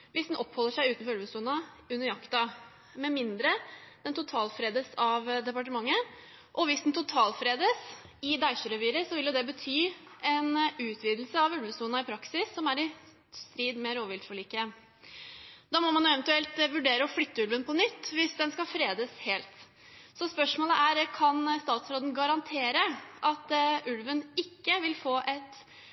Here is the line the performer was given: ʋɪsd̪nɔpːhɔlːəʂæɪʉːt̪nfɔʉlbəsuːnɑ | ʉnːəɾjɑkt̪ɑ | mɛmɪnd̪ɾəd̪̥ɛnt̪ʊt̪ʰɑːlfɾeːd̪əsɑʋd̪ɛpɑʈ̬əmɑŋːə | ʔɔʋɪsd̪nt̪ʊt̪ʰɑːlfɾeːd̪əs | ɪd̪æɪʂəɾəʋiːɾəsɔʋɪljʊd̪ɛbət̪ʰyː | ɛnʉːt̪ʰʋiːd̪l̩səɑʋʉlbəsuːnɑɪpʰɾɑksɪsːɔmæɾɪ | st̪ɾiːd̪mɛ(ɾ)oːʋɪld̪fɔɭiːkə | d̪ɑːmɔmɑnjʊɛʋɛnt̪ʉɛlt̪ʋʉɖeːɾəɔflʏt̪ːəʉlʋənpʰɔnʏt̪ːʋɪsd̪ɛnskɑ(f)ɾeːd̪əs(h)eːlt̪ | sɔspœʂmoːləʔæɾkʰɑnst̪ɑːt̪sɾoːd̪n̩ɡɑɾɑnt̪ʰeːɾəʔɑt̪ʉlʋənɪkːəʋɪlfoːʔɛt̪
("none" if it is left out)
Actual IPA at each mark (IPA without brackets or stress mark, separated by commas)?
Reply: ɾ, f, h